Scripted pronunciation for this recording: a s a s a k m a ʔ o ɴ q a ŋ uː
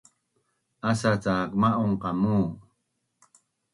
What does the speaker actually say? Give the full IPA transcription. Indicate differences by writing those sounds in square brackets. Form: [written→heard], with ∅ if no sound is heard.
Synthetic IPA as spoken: a s a [s→t͡s] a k m a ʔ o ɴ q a [ŋ→m] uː